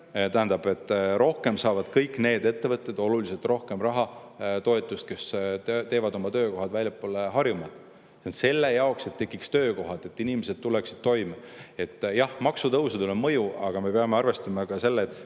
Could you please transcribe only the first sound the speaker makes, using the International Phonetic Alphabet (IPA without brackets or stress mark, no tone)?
t̪